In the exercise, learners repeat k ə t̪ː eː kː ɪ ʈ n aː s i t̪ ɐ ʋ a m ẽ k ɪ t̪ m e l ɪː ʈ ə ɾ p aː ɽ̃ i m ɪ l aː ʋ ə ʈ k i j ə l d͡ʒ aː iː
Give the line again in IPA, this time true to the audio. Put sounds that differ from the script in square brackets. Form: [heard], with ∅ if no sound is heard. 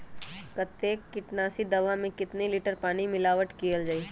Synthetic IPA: k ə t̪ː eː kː ɪ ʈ n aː s i [d̪] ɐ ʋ a m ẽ k ɪ t̪ [n] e l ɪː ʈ ə ɾ p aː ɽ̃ i m ɪ l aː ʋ ə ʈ k i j ə l d͡ʒ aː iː